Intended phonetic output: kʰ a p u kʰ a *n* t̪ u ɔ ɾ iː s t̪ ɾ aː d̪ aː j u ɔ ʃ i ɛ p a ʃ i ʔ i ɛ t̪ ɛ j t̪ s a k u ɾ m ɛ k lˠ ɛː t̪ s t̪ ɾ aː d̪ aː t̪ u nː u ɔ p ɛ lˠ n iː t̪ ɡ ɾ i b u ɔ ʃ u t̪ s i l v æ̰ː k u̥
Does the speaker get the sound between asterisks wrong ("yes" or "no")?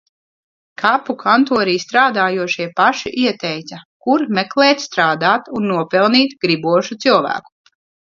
no